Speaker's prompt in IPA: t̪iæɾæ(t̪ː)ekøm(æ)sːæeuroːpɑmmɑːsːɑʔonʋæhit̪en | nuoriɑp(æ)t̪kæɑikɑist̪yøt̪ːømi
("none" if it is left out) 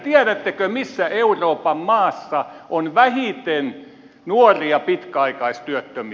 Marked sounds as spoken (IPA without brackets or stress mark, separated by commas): t̪ː, i, i